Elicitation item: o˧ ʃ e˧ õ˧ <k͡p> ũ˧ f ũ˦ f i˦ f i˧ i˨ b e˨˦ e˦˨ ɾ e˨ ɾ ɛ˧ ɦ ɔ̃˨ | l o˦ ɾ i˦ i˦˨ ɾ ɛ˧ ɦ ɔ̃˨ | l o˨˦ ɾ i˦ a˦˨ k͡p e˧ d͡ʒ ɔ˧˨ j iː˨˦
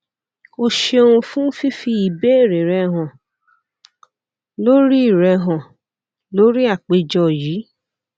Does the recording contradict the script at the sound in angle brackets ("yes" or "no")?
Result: yes